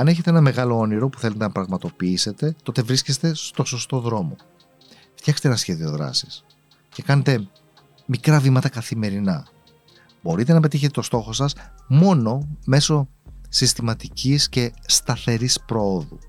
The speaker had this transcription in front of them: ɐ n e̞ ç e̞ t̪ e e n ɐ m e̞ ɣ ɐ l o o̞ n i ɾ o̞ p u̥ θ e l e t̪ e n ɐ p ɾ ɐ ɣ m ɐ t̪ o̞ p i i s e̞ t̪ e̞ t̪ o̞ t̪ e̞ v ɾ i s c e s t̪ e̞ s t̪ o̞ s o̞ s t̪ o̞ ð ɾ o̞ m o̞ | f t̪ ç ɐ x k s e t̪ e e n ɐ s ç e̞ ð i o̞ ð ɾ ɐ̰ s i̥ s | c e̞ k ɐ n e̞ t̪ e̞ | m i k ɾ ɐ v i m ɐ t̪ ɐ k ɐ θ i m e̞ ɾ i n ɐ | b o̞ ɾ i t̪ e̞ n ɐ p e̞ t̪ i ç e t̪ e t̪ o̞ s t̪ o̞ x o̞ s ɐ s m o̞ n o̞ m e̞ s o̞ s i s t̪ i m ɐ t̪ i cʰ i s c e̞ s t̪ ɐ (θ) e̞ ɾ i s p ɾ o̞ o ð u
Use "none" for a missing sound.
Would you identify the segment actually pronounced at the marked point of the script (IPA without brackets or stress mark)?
θ